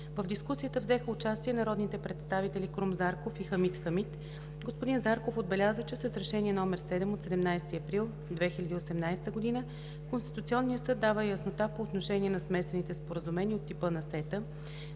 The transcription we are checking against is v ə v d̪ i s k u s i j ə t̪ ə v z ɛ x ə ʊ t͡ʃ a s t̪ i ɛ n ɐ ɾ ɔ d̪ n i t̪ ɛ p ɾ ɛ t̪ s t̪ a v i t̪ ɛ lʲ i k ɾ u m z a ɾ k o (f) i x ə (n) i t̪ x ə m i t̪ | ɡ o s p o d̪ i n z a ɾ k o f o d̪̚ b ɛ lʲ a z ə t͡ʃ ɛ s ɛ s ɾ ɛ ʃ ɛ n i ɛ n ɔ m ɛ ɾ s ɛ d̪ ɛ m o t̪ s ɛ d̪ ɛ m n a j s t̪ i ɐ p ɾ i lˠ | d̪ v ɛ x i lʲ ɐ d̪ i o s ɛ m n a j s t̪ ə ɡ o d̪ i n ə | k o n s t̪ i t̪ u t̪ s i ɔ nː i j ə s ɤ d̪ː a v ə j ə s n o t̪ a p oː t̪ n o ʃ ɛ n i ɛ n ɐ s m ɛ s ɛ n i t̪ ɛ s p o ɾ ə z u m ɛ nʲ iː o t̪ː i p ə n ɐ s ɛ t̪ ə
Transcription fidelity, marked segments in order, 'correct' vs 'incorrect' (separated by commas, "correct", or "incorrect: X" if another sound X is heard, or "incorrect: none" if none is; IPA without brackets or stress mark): correct, incorrect: m